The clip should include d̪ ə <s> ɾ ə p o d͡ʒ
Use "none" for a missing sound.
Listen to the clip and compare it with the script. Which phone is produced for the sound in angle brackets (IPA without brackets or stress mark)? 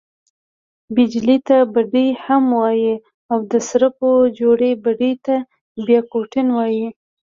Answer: s